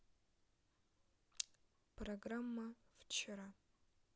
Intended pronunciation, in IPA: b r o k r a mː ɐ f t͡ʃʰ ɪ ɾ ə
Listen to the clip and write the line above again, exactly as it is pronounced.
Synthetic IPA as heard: p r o ɡ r a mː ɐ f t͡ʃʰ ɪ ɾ a

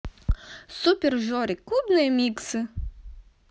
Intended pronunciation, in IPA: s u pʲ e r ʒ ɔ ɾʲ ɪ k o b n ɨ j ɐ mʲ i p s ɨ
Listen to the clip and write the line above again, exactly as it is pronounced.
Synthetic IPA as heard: s u pʲ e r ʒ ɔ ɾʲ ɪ k u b n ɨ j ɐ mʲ i k s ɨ

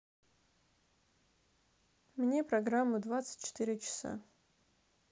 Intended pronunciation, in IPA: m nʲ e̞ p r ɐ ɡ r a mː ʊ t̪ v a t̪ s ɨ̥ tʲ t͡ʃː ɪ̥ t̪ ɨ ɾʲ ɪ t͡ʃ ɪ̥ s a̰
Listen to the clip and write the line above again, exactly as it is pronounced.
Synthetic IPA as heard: m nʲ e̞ p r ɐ ɡ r a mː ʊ d̪ v a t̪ s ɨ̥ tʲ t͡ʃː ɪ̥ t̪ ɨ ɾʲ ɪ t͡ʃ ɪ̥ s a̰

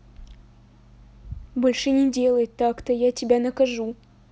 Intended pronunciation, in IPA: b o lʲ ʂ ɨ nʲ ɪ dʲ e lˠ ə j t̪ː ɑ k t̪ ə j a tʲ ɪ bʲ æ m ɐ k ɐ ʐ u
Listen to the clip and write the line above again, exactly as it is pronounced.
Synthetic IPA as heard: b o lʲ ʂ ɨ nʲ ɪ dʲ e lˠ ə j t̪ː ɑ k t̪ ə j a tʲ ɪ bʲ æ n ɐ k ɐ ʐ u

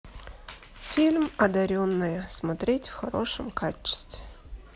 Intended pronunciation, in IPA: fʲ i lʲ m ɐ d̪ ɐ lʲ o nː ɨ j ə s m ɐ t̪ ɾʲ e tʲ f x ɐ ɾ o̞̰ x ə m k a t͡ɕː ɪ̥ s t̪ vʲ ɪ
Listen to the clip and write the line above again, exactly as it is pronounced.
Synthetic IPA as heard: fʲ i lʲ m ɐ d̪ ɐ ɾʲ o nː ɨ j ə s m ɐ t̪ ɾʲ e tʲ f x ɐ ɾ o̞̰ ʂ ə m k a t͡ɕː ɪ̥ s t̪ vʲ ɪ

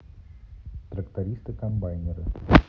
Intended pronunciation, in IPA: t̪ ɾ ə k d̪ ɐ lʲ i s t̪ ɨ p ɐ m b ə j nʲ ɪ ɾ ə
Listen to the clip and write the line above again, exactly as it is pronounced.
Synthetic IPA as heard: t̪ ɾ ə k t̪ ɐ ɾʲ i s t̪ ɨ k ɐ m b a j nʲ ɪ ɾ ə

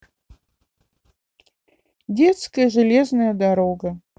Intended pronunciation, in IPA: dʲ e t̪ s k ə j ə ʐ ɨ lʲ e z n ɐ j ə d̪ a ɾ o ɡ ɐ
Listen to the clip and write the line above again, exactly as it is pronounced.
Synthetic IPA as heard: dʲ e t̪ s k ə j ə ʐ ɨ lʲ e z n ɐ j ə d̪ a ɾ o ɡ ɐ

